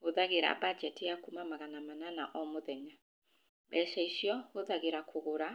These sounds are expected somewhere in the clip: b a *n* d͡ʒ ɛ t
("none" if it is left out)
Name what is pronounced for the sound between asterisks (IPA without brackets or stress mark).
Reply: none